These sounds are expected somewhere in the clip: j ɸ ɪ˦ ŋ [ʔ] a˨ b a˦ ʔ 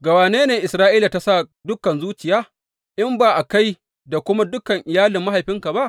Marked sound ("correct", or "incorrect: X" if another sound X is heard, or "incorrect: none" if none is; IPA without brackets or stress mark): incorrect: k